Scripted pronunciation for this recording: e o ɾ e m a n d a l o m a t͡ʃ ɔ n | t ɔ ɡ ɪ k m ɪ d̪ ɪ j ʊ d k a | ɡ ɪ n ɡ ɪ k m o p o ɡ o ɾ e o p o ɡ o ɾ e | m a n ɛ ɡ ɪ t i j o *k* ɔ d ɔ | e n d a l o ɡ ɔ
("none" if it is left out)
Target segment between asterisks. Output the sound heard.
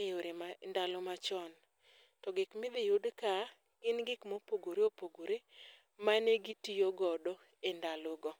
ɡ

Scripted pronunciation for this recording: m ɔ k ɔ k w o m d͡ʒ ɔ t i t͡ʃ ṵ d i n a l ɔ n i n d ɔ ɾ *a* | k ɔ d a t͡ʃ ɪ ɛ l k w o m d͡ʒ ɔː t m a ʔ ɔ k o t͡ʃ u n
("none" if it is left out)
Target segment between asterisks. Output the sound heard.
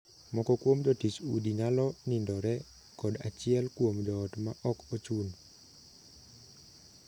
ɛ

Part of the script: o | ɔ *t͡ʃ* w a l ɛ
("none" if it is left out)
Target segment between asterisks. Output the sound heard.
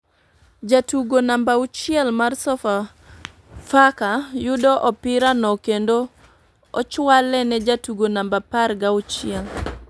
t͡ʃ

